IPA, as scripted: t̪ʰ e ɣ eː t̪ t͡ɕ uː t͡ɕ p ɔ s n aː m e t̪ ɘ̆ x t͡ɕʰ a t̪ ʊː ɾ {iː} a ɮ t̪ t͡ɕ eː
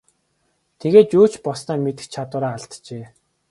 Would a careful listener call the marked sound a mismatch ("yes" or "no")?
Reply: yes